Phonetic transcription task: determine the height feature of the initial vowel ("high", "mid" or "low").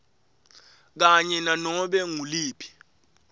low